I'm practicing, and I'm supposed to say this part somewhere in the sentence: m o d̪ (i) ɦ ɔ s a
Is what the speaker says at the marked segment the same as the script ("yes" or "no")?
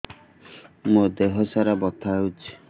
no